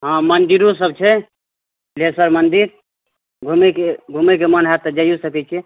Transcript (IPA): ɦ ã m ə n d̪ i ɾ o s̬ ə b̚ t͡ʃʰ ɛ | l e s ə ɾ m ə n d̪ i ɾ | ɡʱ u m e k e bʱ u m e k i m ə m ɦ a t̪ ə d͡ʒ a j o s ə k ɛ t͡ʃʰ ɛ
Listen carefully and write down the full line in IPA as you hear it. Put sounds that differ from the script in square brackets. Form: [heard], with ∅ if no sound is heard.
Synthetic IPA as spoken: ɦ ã m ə n d̪ i ɾ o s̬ ə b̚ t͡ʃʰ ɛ | l e s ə ɾ m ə n d̪ i ɾ | ɡʱ u m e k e [ɡʱ] u m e k [e] m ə [n] ɦ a t̪ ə d͡ʒ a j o s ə k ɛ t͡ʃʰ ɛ

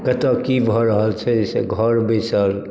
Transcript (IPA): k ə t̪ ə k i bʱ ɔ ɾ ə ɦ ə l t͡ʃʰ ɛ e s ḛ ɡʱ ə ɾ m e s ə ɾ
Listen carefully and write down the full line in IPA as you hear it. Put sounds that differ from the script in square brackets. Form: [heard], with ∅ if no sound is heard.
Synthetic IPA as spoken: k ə t̪ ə k i bʱ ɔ ɾ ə ɦ ə l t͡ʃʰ ɛ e s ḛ ɡʱ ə ɾ [b] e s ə [l]

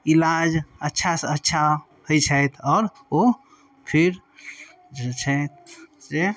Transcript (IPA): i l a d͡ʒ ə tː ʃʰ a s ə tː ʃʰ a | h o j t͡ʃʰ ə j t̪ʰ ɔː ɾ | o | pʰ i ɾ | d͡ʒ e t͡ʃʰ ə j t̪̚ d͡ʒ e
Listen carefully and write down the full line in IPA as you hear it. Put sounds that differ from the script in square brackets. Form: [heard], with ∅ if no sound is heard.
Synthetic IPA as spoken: i l a d͡ʒ ə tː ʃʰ a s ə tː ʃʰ a | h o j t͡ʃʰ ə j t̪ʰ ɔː ɾ | o | pʰ i ɾ | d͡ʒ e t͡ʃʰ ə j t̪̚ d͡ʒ e

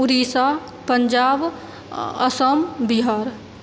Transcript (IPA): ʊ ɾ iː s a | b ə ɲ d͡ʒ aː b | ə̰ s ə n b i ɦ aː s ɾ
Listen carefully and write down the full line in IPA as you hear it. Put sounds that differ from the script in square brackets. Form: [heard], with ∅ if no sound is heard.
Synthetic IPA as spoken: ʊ ɾ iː s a | [p] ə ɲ d͡ʒ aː b | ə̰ s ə [m] b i ɦ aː [∅] ɾ

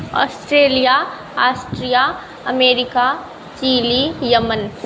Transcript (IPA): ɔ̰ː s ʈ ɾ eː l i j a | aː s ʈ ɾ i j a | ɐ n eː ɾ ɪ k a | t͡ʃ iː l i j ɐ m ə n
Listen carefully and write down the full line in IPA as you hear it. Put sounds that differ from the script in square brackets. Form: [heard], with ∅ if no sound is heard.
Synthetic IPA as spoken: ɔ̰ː s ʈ ɾ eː l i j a | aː s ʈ ɾ i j a | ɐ [m] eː ɾ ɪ k a | t͡ʃ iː l i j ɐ m ə n

